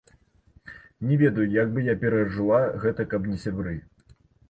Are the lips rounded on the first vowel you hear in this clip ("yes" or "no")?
no